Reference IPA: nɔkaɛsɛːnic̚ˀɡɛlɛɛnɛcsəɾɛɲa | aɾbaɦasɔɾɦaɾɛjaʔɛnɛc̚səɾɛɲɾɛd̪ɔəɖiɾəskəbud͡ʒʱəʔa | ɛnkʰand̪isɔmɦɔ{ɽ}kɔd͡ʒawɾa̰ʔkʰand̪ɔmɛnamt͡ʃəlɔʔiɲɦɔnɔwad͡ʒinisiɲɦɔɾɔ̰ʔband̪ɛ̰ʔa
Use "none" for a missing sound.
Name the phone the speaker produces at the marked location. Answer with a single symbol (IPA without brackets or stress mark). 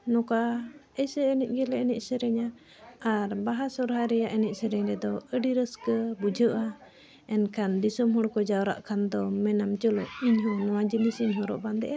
ɽ